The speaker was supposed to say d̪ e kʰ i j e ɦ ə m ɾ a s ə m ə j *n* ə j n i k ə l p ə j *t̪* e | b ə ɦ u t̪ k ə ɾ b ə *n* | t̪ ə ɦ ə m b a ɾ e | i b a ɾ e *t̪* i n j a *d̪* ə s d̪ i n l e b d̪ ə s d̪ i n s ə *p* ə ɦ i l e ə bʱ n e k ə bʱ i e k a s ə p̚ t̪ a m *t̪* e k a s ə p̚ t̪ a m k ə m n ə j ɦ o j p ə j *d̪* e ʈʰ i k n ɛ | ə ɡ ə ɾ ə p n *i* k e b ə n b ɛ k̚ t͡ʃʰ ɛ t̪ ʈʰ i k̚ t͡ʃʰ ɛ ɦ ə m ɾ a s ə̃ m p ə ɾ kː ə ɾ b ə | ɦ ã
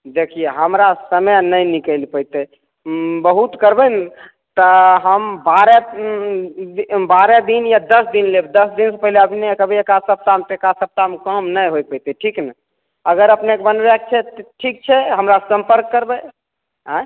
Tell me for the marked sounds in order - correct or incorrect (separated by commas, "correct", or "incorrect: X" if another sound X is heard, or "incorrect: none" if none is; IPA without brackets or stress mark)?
correct, correct, correct, incorrect: d̪, correct, correct, correct, incorrect: t̪, incorrect: e